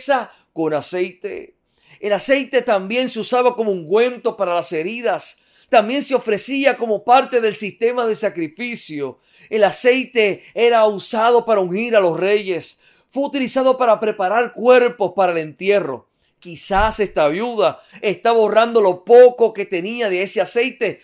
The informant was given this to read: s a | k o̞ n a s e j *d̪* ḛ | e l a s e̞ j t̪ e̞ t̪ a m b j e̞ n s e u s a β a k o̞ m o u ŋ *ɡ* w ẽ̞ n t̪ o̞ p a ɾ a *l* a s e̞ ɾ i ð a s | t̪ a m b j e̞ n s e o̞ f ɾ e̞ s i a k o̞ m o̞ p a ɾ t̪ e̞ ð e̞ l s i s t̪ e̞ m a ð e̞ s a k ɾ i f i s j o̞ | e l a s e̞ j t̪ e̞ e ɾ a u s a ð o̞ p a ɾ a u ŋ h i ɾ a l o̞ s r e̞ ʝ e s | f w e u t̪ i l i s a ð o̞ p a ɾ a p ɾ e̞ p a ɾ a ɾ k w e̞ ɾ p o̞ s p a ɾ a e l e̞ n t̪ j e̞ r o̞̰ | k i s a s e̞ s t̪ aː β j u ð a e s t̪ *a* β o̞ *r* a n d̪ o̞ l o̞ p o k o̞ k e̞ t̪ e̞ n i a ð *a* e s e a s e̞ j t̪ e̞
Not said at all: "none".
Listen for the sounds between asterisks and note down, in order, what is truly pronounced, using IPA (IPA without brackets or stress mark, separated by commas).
t̪, ɡ, l, a, r, e